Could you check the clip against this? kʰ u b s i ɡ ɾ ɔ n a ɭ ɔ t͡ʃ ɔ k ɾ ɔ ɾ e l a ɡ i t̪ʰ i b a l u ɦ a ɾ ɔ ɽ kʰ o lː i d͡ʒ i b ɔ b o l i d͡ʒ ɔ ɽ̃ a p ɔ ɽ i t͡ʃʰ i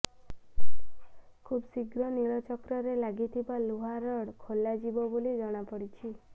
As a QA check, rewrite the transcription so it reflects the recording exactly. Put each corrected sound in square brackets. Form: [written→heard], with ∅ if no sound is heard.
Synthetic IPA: kʰ u b s i ɡ ɾ ɔ n [a→i] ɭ ɔ t͡ʃ ɔ k ɾ ɔ ɾ e l a ɡ i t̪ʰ i b a l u ɦ a ɾ ɔ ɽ kʰ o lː [i→a] d͡ʒ i b ɔ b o l i d͡ʒ ɔ ɽ̃ a p ɔ ɽ i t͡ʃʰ i